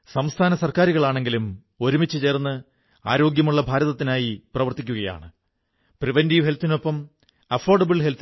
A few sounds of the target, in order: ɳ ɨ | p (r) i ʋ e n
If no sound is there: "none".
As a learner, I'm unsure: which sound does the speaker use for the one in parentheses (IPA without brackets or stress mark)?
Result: r